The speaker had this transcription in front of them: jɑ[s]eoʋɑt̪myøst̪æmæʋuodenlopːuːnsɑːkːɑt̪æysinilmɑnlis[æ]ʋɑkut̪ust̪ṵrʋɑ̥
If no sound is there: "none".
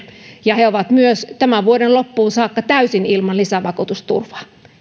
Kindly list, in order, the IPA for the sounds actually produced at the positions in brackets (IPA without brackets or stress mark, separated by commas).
h, æ